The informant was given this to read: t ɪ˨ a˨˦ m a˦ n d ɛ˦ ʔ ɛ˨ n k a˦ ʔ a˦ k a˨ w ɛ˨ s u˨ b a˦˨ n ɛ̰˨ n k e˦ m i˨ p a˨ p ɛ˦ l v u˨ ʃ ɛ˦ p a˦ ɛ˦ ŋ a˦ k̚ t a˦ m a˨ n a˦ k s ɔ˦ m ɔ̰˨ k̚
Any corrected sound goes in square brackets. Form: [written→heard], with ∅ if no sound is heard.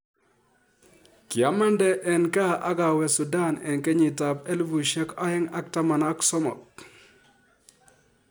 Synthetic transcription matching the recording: [t→k] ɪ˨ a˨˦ m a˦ n d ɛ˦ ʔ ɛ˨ n k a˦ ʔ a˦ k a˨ w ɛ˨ s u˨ [b→d] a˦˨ n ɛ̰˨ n k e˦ [m→ɲ] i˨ [p→t] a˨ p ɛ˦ l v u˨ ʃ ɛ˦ [p→k] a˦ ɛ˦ ŋ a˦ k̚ t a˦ m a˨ n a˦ k s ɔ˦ m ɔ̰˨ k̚